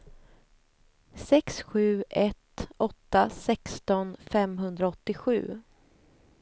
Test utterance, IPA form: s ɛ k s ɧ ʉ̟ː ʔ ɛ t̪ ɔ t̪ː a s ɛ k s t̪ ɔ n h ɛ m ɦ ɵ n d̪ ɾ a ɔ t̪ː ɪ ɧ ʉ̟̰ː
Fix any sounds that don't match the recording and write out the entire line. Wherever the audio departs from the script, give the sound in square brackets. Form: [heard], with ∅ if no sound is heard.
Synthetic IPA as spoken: s ɛ k s ɧ ʉ̟ː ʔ ɛ t̪ ɔ t̪ː a s ɛ k s t̪ ɔ n [f] ɛ m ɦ ɵ n d̪ ɾ a ɔ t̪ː ɪ ɧ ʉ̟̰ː